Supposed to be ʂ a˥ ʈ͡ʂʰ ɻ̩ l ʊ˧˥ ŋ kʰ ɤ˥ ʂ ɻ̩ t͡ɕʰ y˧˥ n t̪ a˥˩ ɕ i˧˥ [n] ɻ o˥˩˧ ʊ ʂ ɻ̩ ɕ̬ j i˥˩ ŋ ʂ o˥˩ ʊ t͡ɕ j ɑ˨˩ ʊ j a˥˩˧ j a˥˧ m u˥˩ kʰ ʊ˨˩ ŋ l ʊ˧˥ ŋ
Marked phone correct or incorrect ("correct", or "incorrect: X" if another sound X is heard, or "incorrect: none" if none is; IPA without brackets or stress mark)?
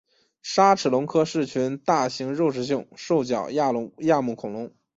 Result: incorrect: ŋ